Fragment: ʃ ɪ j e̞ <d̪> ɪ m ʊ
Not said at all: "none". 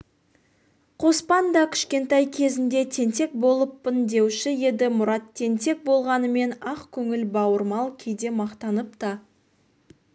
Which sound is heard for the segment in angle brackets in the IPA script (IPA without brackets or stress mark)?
d̪